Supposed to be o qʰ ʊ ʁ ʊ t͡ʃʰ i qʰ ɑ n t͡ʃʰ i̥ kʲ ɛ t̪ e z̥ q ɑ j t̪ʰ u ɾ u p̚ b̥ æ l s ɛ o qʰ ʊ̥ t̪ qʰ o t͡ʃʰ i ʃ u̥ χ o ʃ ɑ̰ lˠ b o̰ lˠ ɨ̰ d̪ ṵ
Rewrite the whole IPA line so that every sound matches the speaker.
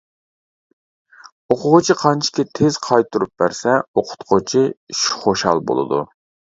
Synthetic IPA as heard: o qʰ ʊ ʁ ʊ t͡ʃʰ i qʰ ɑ n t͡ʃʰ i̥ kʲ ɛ t̪ʰ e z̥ qʰ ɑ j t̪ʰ u ɾ u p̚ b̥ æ ɾ s ɛ o qʰ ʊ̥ t̪ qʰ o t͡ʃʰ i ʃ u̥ χ o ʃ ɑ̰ lˠ b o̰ lˠ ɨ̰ d̪ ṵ